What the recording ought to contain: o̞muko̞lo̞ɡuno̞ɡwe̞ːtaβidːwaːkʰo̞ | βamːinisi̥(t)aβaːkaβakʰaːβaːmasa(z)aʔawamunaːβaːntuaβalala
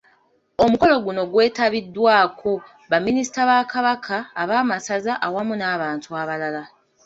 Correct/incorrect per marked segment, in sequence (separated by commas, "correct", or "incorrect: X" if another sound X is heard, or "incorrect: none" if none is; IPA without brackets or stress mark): correct, correct